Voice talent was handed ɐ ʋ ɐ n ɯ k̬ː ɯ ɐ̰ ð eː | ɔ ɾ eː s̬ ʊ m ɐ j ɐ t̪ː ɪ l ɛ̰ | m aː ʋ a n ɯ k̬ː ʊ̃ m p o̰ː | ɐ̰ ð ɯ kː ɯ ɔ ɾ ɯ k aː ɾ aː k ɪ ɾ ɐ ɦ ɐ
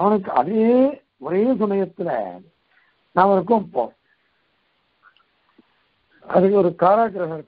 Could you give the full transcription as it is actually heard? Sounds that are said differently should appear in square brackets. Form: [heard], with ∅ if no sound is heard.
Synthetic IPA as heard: ɐ ʋ ɐ n ɯ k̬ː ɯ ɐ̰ ð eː | ɔ ɾ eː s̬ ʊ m ɐ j ɐ t̪ː ɪ l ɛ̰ | [n] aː ʋ [ɐ] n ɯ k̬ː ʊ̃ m p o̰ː | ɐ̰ ð ɯ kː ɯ ɔ ɾ ɯ k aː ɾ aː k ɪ ɾ ɐ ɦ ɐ